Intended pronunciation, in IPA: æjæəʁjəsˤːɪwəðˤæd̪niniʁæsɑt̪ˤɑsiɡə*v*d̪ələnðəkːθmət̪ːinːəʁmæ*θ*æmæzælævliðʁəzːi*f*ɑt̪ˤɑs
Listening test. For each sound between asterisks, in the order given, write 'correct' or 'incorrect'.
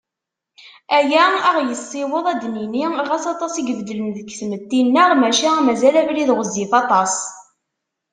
correct, incorrect, correct

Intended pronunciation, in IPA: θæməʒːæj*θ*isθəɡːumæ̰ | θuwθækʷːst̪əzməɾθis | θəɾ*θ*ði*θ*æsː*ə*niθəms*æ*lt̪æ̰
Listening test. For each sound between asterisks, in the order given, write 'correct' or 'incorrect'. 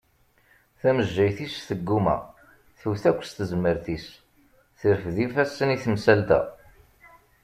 correct, incorrect, incorrect, correct, correct

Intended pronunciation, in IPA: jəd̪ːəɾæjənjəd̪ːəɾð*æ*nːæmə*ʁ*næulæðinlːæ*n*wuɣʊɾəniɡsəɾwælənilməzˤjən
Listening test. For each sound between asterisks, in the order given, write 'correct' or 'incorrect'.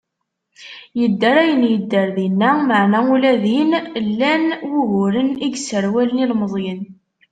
incorrect, incorrect, correct

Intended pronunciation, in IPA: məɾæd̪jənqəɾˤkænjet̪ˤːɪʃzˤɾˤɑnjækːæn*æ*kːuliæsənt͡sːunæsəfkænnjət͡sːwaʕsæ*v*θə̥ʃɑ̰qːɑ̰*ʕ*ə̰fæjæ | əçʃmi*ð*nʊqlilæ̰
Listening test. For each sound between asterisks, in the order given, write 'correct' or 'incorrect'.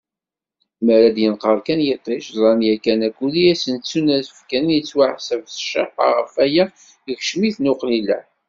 correct, correct, incorrect, incorrect

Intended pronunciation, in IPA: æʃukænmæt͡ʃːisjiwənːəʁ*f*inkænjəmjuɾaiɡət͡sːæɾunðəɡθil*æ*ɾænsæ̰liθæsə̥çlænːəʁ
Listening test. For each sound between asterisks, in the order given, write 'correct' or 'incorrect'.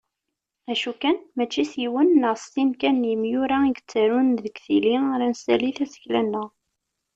incorrect, incorrect

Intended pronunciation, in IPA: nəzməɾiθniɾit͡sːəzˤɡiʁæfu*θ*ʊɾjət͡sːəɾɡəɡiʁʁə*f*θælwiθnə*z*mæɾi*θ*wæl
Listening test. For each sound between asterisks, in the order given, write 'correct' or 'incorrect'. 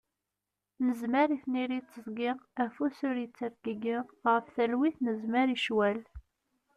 incorrect, correct, correct, incorrect

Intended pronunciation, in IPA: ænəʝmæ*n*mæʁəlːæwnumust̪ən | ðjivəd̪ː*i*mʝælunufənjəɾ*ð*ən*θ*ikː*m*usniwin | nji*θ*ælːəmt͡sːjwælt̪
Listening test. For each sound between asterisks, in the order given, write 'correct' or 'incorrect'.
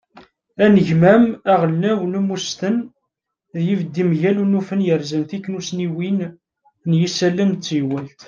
incorrect, correct, incorrect, correct, incorrect, incorrect

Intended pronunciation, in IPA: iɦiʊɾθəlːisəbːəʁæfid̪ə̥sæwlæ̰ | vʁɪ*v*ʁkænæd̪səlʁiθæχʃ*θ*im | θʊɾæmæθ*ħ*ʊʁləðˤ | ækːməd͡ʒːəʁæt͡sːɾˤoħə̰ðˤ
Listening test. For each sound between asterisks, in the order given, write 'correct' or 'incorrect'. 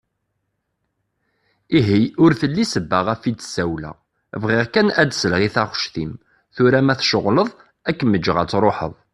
incorrect, correct, incorrect

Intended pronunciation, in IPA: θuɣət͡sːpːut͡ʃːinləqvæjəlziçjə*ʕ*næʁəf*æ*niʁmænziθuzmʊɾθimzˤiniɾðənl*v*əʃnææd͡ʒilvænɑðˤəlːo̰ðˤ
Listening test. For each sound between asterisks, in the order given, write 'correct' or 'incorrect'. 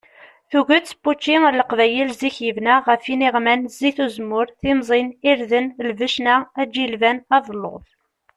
incorrect, incorrect, correct

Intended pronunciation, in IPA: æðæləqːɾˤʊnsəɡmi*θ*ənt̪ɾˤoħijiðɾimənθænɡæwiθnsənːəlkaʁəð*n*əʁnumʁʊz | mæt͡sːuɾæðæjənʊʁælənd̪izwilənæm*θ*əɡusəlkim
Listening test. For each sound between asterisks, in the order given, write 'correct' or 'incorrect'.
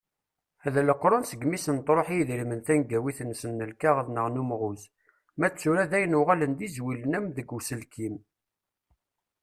incorrect, correct, incorrect

